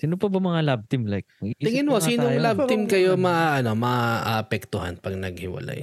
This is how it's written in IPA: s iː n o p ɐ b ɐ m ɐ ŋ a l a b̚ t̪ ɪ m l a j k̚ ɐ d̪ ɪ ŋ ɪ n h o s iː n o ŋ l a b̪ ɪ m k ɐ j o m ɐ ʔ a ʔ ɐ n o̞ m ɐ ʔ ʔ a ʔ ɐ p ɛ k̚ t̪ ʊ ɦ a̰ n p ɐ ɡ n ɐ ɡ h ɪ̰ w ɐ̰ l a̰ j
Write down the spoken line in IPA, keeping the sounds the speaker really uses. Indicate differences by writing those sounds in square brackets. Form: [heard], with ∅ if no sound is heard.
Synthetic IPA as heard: s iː n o p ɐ b ɐ m ɐ ŋ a l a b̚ t̪ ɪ m l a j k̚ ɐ [t̪] ɪ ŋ ɪ n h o s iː n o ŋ l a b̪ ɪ m k ɐ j o m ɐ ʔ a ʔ ɐ n o̞ m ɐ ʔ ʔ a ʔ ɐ p ɛ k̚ t̪ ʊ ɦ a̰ n p ɐ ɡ n ɐ ɡ h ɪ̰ w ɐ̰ l a̰ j